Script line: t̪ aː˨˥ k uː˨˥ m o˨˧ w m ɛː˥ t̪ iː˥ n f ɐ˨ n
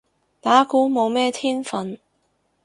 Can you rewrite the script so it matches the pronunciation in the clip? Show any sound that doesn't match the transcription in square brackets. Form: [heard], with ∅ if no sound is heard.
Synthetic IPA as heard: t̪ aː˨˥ k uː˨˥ m o˨˧ w m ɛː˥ [t̪ʰ] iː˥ n f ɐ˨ n